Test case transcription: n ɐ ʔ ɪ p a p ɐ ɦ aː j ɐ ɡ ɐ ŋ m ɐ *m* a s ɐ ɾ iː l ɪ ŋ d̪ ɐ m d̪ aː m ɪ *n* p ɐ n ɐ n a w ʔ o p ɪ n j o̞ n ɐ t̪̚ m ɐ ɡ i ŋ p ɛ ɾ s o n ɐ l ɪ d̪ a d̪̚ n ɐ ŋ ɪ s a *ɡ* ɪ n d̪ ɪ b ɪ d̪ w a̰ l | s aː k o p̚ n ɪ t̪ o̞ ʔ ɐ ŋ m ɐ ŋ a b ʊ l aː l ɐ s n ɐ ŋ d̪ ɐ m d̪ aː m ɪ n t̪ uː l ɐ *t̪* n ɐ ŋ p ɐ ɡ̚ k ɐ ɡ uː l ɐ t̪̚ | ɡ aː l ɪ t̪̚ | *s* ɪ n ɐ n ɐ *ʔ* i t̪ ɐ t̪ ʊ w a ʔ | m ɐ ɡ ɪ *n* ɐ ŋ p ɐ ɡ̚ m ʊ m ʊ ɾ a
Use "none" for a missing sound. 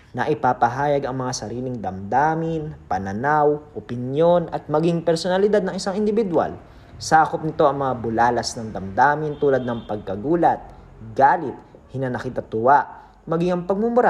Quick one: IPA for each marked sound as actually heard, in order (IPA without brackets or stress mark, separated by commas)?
ŋ, n, ŋ, d̪, h, k, ŋ